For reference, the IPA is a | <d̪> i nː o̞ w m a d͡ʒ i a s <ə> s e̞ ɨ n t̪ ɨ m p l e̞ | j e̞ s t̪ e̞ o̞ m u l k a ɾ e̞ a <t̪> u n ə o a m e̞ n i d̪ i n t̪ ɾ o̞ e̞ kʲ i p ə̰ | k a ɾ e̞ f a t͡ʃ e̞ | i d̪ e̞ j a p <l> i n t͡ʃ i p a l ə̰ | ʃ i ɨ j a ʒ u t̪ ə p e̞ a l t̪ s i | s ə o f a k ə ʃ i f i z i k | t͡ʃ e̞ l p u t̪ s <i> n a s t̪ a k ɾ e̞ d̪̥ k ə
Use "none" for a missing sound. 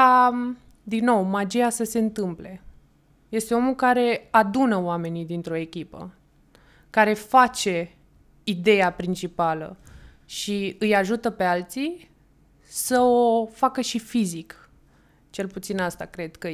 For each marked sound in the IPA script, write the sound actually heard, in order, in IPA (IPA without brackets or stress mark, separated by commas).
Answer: d̪, ə, d̪, ɾ, i